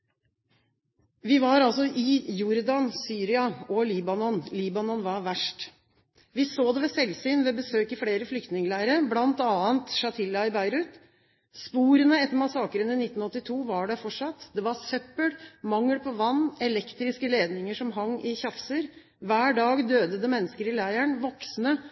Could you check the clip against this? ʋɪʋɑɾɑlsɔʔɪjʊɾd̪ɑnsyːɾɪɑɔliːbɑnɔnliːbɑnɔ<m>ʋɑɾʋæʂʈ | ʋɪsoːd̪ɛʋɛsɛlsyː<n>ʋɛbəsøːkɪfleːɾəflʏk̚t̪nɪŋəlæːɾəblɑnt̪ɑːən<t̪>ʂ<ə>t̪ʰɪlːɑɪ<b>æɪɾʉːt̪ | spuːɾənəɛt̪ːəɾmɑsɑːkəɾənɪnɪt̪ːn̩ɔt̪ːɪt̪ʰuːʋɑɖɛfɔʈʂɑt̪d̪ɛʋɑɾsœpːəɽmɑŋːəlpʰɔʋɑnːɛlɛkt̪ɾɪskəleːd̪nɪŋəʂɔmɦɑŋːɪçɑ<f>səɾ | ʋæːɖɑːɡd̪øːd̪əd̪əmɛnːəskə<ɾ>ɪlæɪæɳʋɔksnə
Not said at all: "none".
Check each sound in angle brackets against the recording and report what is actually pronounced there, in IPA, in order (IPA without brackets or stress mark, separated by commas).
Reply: n, n, t̪, ɑ, b, f, ɾ